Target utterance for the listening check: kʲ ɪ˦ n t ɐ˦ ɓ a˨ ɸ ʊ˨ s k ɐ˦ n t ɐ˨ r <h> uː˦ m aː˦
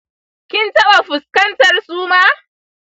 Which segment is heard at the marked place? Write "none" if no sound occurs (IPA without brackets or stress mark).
s